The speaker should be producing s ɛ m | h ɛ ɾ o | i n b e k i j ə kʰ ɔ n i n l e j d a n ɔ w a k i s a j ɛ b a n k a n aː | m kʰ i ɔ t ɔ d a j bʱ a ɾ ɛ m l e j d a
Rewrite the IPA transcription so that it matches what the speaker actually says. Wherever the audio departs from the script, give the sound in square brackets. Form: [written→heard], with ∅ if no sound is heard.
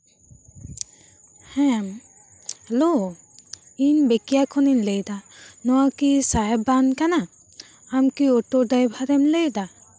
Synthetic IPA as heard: [s→h] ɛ m | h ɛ [ɾ→l] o | i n b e k i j [ə→a] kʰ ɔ n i n l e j d a n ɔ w a k i s a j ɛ b a n k a n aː | m [kʰ→k] i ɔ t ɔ d a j bʱ a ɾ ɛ m l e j d a